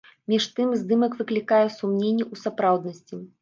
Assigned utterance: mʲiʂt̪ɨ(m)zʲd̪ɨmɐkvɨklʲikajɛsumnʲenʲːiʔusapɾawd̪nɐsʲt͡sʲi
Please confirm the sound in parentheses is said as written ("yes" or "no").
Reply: yes